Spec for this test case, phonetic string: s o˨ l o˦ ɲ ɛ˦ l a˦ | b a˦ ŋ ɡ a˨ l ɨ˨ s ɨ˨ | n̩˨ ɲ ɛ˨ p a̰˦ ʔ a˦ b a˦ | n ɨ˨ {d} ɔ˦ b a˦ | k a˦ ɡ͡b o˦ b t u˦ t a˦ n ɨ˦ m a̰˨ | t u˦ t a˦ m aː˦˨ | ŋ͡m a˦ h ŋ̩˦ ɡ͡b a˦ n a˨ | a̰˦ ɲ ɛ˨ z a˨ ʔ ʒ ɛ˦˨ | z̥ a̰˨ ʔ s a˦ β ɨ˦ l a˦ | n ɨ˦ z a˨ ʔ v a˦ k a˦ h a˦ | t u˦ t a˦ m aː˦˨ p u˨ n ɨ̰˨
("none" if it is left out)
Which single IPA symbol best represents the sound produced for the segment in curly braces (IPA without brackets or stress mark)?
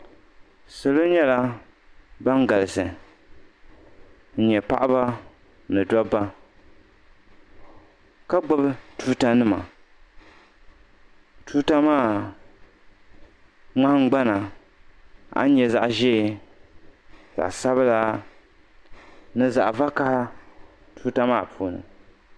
d